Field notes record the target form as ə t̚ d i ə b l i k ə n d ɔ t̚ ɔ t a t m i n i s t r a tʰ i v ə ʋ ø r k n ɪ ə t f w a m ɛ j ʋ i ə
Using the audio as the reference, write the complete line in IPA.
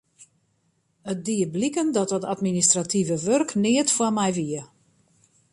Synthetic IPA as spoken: ə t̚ d i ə b l i k ə n d ɔ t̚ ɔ t a t m i n i s t r a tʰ i v ə ʋ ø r k n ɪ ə t f w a m ɛ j ʋ i ə